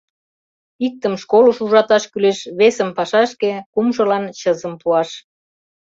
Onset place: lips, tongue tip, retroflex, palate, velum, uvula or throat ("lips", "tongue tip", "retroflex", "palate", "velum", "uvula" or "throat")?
velum